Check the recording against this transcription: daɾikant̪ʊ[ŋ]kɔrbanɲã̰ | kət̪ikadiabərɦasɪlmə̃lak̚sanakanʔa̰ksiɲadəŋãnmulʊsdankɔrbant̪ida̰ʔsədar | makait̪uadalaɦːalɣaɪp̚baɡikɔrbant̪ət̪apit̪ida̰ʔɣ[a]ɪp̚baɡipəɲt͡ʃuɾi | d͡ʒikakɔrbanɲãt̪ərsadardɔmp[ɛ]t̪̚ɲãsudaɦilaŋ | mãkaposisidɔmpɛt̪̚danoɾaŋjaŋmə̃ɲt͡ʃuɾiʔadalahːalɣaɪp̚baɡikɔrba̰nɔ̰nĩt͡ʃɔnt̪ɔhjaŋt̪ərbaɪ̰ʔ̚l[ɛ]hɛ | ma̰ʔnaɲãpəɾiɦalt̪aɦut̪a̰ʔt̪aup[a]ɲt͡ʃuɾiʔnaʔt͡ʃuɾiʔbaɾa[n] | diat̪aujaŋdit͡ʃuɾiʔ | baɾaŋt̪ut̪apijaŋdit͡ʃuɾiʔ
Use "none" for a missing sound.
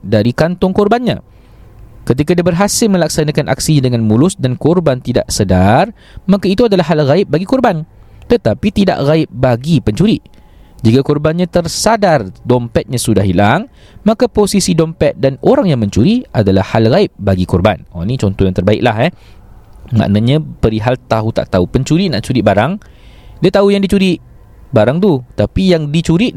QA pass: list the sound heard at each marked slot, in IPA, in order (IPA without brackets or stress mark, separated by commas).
ŋ, a, ɛ, a, ə, ŋ